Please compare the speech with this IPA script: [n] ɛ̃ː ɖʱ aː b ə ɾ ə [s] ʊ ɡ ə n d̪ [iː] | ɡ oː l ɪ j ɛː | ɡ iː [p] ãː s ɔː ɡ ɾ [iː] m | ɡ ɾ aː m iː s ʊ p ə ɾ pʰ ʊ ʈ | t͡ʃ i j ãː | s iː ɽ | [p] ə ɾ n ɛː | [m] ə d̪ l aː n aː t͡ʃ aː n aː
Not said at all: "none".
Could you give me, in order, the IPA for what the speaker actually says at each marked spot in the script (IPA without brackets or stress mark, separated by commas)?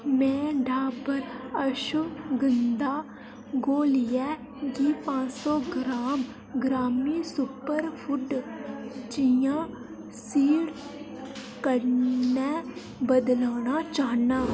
m, ʃ, aː, p, aː, k, b